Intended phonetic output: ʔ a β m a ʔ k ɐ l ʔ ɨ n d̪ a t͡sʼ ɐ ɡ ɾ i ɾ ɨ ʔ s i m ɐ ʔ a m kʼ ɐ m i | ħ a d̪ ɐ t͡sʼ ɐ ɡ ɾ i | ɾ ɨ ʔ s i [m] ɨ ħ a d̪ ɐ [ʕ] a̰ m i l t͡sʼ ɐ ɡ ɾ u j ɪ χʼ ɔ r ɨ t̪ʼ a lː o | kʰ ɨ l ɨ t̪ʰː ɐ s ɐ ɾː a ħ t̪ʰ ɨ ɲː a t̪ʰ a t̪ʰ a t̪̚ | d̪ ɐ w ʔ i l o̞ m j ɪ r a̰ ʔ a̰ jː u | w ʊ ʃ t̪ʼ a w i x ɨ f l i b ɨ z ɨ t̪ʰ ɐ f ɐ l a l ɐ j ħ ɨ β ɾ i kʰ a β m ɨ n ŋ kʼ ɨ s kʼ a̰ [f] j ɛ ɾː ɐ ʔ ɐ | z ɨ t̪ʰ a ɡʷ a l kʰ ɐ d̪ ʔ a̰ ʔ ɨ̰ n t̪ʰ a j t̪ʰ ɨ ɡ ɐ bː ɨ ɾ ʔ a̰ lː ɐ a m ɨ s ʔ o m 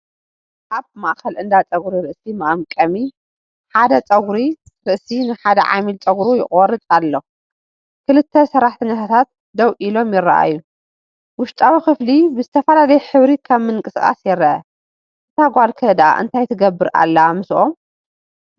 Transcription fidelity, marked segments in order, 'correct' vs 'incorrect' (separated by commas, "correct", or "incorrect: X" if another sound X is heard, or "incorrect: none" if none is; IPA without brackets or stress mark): incorrect: n, correct, incorrect: s